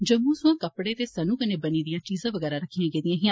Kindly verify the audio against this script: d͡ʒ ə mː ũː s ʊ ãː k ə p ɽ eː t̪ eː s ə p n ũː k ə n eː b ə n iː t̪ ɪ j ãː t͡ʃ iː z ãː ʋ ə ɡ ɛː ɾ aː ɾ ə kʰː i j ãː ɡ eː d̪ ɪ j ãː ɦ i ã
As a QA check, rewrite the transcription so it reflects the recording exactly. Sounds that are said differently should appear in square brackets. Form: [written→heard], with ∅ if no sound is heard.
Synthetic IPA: d͡ʒ ə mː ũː s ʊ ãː k ə p ɽ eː t̪ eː s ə [p→∅] n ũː k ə n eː b ə n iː [t̪→d̪] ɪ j ãː t͡ʃ iː z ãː ʋ ə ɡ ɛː ɾ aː ɾ ə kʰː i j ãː ɡ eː d̪ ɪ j ãː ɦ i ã